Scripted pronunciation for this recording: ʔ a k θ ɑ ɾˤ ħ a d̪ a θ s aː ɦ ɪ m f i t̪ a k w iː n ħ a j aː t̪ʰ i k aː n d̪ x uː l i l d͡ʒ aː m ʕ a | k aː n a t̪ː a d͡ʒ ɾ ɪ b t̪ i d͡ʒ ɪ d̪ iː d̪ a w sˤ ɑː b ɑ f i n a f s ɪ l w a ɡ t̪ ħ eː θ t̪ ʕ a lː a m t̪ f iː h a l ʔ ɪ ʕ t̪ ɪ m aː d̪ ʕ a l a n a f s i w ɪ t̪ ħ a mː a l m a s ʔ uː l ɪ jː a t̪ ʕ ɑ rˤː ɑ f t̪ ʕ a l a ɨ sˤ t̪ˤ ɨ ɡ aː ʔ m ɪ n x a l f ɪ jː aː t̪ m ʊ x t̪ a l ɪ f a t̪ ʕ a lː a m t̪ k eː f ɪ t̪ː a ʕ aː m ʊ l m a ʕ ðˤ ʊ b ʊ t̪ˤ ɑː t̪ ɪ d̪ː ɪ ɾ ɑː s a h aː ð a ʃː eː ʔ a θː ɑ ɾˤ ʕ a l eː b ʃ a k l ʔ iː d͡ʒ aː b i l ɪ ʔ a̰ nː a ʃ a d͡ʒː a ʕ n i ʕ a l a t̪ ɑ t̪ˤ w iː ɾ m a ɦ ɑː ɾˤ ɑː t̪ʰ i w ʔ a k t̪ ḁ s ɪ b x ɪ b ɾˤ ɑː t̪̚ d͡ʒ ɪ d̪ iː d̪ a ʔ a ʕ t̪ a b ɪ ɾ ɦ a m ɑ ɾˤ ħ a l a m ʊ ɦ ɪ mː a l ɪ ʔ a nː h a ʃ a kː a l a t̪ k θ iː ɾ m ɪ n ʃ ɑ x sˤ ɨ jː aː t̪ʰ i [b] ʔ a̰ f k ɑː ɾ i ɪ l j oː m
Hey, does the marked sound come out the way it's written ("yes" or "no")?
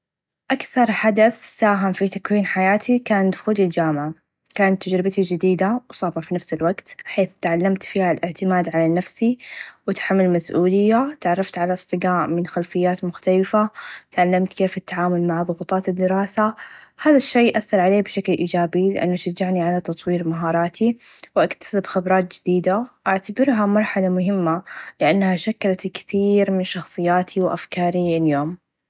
no